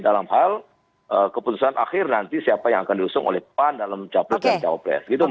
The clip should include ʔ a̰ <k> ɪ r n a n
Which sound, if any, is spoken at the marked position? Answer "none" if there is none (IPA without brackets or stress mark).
x